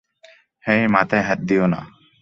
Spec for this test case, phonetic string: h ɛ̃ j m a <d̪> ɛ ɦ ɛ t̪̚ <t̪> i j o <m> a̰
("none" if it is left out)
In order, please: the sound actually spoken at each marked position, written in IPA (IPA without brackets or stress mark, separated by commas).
t̪, d̪, n